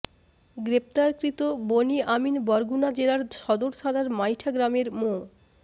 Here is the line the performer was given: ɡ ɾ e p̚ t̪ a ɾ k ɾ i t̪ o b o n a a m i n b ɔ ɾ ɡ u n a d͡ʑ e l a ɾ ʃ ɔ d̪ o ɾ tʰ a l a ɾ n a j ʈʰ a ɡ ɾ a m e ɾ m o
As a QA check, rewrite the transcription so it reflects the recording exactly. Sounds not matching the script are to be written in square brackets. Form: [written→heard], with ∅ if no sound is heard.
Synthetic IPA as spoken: ɡ ɾ e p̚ t̪ a ɾ k ɾ i t̪ o b o n [a→i] a m i n b ɔ ɾ ɡ u n a d͡ʑ e l a ɾ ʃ ɔ d̪ o ɾ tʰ a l a ɾ [n→m] a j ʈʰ a ɡ ɾ a m e ɾ m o